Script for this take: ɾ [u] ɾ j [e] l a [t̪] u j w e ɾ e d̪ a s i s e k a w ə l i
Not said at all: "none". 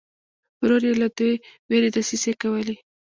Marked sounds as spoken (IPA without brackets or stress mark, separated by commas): o, e, d̪